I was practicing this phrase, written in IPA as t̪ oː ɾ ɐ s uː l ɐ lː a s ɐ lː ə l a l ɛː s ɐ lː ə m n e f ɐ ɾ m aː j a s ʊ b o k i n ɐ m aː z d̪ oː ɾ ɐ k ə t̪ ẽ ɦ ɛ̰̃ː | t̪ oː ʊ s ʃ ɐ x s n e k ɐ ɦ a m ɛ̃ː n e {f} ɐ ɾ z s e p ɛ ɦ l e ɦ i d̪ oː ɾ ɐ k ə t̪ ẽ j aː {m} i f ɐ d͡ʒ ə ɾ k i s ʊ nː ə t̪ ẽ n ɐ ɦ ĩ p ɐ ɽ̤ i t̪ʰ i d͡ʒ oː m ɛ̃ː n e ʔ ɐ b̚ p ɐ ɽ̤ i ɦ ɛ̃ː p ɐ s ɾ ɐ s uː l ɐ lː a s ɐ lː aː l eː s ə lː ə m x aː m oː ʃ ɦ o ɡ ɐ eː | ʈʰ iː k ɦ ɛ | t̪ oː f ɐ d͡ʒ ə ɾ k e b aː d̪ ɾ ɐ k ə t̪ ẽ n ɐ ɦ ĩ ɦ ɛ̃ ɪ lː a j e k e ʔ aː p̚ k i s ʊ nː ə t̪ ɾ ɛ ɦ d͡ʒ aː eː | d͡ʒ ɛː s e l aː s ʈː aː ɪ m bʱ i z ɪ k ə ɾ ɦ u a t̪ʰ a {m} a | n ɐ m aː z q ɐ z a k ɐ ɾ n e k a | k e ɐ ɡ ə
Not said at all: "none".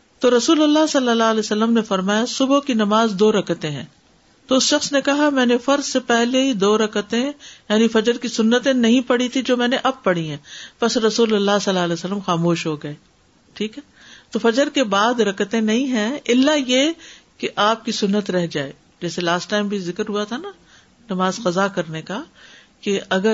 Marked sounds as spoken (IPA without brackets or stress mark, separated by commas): f, n, n